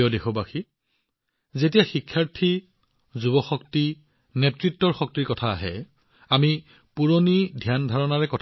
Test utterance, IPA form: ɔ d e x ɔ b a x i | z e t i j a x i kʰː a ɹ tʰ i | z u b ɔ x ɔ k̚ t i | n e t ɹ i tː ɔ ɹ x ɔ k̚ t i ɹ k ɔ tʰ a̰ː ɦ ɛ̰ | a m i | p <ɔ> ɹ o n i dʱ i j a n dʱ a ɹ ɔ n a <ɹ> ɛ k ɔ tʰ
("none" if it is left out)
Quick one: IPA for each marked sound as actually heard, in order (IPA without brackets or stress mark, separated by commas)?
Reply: u, ɹ